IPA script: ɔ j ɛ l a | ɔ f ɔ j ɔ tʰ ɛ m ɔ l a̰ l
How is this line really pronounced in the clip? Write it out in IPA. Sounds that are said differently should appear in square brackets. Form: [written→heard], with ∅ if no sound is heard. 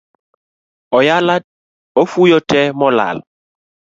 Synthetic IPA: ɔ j [ɛ→a] l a | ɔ f [ɔ→u] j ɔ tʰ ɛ m ɔ l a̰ l

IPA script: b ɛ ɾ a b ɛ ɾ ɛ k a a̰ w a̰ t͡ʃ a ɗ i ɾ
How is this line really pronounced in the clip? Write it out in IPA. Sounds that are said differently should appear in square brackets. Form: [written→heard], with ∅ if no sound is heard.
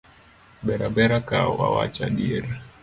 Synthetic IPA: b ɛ ɾ a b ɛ ɾ [ɛ→a] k a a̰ w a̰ t͡ʃ a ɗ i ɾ

